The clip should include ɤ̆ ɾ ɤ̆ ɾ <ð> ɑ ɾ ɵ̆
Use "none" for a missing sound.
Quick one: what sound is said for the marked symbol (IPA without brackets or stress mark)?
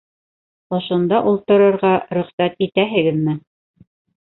ʁ